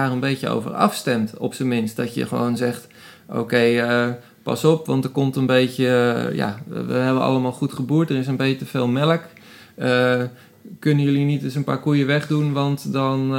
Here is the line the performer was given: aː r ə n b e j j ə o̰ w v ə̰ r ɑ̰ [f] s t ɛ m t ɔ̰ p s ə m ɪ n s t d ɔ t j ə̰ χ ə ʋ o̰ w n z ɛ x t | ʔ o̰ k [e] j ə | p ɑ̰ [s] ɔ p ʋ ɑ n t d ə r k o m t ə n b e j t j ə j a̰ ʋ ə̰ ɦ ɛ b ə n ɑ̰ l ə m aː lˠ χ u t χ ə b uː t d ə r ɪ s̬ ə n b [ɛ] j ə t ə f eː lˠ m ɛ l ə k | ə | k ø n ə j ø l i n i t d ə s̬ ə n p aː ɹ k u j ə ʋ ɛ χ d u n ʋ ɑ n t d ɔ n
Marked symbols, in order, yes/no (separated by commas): yes, yes, yes, no